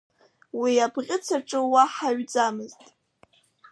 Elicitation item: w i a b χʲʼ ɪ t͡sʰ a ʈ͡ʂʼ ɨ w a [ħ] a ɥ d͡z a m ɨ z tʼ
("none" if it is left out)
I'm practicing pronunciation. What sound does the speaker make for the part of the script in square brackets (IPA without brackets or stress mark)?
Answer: ħ